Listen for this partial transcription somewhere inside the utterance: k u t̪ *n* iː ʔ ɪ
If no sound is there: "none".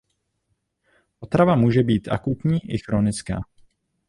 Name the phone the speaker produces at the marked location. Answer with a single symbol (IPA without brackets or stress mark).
ɲ